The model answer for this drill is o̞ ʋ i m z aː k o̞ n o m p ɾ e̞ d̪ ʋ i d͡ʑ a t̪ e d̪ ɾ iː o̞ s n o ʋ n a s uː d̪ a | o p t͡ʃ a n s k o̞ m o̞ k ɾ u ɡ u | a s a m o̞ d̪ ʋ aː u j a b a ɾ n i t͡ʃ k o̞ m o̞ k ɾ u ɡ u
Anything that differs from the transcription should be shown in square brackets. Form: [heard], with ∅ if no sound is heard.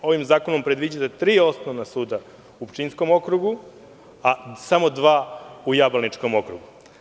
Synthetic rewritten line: o̞ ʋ i m z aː k o̞ n o m p ɾ e̞ d̪ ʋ i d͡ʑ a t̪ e [t̪] ɾ iː o̞ s n o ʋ n a s uː d̪ a | [u] p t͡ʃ [i] n s k o̞ m o̞ k ɾ u ɡ u | a s a m o̞ d̪ ʋ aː u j a b a [l] n i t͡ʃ k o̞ m o̞ k ɾ u ɡ u